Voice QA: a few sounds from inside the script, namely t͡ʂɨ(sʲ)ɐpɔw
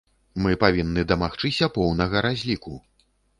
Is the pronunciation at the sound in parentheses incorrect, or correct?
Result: correct